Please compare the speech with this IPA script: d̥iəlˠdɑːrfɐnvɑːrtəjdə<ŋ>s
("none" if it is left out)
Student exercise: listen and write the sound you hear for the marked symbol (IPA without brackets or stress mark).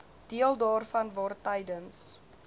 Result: n